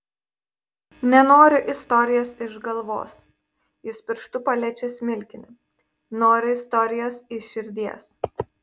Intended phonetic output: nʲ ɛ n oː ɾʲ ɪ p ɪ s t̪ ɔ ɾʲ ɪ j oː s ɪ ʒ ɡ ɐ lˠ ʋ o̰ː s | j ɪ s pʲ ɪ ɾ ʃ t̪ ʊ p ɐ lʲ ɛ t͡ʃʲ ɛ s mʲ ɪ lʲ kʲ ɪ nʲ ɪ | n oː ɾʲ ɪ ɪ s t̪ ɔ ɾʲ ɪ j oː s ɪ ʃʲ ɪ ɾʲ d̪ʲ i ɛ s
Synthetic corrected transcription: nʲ ɛ n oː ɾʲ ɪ ʔ ɪ s t̪ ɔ ɾʲ ɪ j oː s ɪ ʒ ɡ ɐ lˠ ʋ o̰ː s | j ɪ s pʲ ɪ ɾ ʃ t̪ ʊ p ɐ lʲ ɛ t͡ʃʲ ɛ s mʲ ɪ lʲ kʲ ɪ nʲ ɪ | n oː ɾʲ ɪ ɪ s t̪ ɔ ɾʲ ɪ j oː s ɪ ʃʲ ɪ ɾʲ d̪ʲ i ɛ s